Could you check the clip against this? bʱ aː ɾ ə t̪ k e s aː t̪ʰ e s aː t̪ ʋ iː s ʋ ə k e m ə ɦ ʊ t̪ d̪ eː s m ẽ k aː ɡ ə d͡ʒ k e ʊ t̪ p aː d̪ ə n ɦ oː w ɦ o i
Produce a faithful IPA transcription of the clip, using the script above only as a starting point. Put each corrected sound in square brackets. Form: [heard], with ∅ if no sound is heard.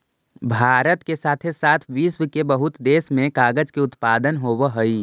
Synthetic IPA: bʱ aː ɾ ə t̪ k e s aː t̪ʰ e s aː [t̪ʰ] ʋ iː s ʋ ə k e [b] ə ɦ ʊ t̪ d̪ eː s m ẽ k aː ɡ ə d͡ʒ k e ʊ t̪ p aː d̪ ə n ɦ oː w ɦ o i